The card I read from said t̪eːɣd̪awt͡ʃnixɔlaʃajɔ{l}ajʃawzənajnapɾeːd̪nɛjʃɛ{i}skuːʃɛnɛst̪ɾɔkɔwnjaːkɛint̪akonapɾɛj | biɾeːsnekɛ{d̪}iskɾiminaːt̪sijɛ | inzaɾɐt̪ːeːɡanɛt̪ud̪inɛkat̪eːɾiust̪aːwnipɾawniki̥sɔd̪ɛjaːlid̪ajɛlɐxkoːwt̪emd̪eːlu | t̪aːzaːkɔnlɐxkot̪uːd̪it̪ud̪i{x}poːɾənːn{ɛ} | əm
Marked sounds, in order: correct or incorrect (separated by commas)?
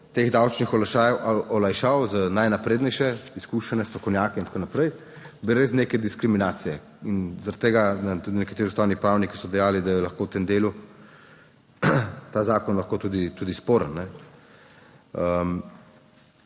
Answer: correct, correct, correct, incorrect, correct